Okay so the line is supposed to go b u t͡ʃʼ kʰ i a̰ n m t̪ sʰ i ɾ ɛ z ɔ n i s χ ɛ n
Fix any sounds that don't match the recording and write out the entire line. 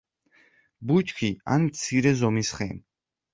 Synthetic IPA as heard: b u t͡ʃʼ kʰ i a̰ n m t̪ sʰ i ɾ ɛ z ɔ m i s χ ɛ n